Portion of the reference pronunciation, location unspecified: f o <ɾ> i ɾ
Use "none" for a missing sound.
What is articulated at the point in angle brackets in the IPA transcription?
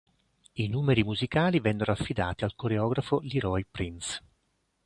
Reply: l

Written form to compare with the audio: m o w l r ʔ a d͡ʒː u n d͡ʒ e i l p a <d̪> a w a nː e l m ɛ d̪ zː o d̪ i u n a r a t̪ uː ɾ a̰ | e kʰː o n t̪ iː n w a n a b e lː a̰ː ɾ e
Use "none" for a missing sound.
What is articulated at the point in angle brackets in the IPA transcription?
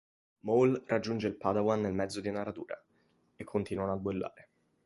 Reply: d̪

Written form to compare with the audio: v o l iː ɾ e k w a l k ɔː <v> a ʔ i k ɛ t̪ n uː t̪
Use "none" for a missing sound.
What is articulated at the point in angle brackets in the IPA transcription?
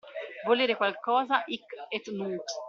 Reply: z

